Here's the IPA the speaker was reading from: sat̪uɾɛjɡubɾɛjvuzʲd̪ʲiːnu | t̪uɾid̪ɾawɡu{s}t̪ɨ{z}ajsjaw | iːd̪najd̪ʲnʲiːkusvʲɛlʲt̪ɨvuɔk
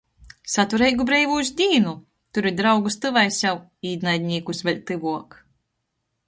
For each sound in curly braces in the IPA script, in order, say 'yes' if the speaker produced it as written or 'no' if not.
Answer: yes, no

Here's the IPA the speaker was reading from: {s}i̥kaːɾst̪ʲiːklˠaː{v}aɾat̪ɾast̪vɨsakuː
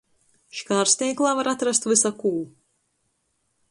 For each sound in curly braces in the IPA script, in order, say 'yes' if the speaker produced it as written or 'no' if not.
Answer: no, yes

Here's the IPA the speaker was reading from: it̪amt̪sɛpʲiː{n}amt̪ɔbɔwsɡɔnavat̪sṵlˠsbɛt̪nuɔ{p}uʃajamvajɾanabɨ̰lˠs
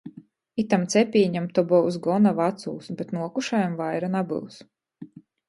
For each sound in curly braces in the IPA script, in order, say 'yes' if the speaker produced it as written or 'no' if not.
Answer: no, no

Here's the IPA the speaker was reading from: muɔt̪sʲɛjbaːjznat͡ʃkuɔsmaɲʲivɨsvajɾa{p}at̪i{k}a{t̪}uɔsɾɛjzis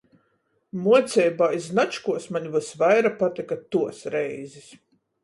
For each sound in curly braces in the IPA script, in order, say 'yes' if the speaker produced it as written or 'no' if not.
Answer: yes, yes, yes

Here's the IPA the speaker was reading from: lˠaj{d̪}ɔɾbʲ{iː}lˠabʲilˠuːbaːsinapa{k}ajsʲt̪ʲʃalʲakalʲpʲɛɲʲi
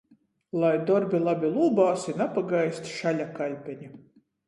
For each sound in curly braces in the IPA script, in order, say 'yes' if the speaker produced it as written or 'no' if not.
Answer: yes, no, no

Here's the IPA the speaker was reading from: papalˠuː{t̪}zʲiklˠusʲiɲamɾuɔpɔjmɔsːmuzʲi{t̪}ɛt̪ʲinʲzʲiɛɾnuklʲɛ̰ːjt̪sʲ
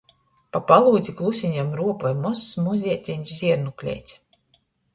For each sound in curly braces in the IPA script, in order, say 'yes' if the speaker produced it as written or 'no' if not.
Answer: no, no

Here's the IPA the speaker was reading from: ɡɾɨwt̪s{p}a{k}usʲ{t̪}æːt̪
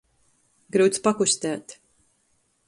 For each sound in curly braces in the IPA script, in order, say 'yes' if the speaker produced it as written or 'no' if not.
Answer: yes, yes, yes

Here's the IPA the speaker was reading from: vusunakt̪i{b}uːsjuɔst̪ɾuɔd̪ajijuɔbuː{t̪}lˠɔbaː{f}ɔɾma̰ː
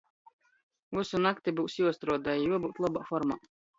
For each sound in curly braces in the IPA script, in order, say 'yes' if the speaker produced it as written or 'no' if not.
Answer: yes, yes, yes

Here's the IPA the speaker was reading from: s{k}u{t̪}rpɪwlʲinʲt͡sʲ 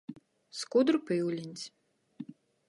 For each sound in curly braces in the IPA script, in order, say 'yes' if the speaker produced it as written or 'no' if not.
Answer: yes, no

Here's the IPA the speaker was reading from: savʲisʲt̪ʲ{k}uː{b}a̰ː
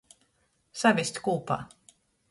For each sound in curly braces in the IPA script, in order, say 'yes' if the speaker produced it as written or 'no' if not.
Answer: yes, no

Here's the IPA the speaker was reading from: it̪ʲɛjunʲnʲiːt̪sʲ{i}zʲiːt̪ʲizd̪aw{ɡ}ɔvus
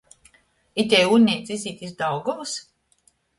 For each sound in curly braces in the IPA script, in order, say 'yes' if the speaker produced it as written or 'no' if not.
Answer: yes, yes

